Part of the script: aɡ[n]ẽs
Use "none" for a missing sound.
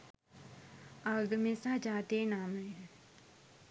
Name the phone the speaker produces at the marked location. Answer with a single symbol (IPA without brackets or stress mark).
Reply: m